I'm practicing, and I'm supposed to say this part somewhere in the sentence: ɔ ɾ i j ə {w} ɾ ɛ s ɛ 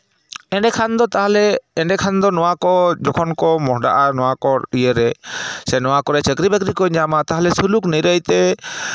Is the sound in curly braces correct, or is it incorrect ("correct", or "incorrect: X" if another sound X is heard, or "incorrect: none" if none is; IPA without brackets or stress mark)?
incorrect: none